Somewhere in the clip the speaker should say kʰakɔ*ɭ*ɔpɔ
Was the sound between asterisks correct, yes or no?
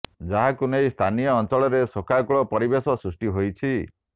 yes